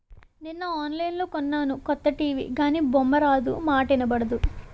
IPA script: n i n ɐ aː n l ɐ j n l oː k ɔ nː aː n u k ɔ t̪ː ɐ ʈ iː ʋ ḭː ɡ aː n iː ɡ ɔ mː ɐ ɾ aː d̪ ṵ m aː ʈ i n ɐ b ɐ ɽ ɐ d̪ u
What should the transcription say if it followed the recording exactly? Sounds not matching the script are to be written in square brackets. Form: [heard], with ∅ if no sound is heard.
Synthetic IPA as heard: n i [nː] ɐ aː n l ɐ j n l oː k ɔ nː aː n u k ɔ t̪ː ɐ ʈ iː ʋ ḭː ɡ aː n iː [b] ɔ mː ɐ ɾ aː d̪ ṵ m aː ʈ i n ɐ b ɐ ɽ ɐ d̪ u